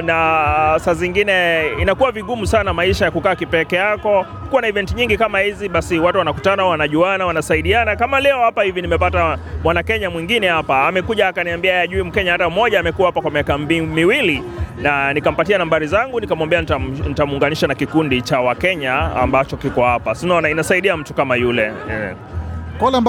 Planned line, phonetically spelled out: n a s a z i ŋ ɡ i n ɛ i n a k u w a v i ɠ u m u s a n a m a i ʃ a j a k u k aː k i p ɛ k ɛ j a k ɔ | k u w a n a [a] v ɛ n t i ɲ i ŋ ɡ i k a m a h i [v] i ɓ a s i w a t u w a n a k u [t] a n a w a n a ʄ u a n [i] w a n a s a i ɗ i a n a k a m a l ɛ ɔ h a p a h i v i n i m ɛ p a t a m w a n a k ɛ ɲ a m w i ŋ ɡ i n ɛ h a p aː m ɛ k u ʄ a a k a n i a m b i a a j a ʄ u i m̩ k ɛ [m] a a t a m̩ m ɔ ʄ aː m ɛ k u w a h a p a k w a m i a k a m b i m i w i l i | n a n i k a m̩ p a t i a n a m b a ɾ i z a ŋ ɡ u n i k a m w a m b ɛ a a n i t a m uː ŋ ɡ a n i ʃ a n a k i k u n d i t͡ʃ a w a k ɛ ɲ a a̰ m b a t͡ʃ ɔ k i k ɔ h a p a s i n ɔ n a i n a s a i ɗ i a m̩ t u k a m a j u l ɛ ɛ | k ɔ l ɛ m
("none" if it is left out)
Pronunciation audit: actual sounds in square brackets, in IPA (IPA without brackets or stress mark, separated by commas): i, z, t, a, ɲ